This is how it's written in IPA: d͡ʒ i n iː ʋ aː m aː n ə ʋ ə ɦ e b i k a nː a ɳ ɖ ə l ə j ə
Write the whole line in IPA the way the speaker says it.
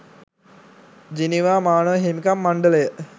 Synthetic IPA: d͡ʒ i n i ʋ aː m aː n ə ʋ ə ɦ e m i k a mː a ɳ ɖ ə l ə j ə